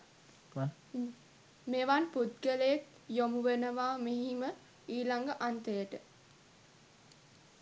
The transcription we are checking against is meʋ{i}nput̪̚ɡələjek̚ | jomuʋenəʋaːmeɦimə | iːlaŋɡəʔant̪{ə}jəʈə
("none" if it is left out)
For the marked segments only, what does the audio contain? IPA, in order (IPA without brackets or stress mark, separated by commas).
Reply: a, ə